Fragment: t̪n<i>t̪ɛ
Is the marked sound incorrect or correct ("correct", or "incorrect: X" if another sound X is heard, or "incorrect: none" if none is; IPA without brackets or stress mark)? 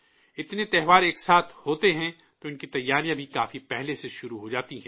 incorrect: e